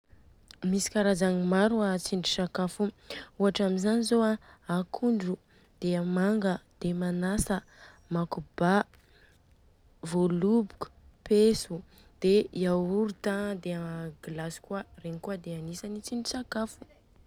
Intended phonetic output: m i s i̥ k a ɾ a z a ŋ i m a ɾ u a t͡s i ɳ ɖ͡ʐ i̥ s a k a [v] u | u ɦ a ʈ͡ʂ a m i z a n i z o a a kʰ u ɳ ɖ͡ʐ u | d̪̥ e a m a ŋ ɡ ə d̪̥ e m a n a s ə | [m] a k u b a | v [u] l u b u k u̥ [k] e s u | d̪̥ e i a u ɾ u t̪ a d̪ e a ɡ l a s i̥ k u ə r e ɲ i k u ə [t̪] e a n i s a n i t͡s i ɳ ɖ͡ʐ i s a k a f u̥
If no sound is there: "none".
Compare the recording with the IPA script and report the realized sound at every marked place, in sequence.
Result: f, m, o, p, d̪

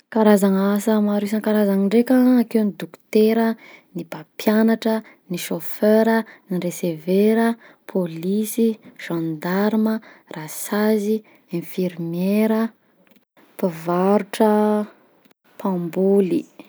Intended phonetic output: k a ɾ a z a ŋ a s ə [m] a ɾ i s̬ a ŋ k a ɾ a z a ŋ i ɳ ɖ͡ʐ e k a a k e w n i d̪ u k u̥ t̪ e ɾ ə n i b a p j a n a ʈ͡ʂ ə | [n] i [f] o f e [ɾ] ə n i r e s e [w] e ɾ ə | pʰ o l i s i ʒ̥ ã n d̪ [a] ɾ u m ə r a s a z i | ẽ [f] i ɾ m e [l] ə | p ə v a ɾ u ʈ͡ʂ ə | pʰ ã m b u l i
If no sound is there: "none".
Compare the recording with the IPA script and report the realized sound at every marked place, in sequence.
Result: m, n, ʃ, ɾ, v, a, f, ɾ

